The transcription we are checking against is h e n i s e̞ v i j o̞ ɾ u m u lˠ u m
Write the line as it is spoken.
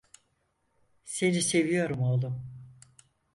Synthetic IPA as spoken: s e n i s e̞ v i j o̞ ɾ u m o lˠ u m